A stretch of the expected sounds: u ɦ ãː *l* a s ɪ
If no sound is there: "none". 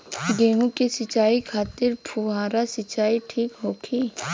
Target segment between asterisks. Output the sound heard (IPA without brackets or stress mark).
ɾ